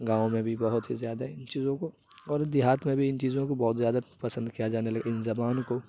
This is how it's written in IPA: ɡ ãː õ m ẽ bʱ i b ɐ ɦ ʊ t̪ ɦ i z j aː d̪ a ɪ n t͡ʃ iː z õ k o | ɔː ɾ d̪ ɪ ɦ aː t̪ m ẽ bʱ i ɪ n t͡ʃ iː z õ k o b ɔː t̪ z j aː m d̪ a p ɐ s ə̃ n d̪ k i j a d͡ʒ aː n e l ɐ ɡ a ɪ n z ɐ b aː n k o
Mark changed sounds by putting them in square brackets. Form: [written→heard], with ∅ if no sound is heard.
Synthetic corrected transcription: ɡ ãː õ m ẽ bʱ i b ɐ ɦ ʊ t̪ ɦ i z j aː d̪ a ɪ n t͡ʃ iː z õ k o | ɔː ɾ d̪ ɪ ɦ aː t̪ m ẽ bʱ i ɪ n t͡ʃ iː z õ k o b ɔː t̪ z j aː [m→∅] d̪ a p ɐ s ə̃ n d̪ k i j a d͡ʒ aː n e l ɐ ɡ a ɪ n z ɐ b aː n k o